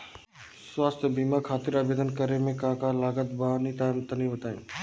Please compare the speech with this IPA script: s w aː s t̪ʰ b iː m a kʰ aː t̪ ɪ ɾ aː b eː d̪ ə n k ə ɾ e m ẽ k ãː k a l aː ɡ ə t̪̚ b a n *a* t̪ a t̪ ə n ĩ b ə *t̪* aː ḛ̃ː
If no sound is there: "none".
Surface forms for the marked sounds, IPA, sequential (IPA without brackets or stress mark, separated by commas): i, t̪